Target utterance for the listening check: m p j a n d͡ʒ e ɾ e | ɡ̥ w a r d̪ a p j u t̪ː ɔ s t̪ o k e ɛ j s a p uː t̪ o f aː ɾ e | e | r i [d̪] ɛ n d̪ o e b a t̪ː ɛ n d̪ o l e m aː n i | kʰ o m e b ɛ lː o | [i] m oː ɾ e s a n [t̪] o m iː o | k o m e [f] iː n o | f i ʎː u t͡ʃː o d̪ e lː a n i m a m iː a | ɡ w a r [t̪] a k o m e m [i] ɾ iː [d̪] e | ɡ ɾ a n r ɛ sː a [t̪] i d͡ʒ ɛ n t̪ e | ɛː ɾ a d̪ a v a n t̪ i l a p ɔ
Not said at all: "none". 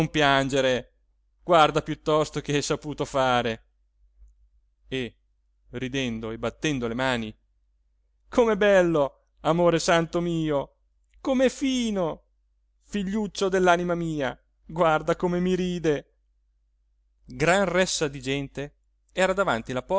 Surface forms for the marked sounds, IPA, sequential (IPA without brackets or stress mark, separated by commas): d̪, a, t̪, f, d̪, i, d̪, d̪